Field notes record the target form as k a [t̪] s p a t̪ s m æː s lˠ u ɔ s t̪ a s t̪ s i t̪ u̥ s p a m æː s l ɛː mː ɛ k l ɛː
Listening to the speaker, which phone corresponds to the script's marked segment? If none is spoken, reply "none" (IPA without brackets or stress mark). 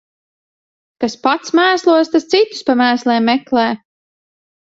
none